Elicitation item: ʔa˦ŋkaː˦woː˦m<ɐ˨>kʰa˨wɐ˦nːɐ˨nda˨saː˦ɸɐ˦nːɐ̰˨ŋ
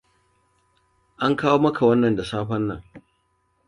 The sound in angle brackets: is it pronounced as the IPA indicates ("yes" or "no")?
no